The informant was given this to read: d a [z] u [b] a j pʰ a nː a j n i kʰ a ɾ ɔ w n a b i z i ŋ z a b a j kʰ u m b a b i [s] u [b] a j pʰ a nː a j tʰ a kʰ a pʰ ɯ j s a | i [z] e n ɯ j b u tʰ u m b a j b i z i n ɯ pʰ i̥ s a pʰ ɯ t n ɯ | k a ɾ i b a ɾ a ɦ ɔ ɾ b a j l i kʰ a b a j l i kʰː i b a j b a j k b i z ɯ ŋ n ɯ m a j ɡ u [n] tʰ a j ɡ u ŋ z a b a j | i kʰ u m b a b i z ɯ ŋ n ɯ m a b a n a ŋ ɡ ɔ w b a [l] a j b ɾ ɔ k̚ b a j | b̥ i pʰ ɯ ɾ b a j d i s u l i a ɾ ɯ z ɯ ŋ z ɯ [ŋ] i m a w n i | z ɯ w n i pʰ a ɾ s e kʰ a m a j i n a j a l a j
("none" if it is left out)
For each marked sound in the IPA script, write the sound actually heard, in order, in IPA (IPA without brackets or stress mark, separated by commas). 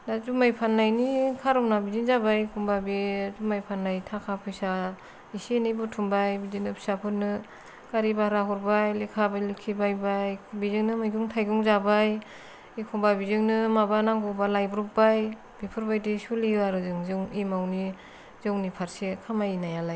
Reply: z, m, z, m, s, ŋ, l, ŋ